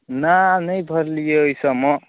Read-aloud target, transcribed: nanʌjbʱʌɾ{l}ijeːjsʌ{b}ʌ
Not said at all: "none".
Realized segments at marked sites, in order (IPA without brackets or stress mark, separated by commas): l, m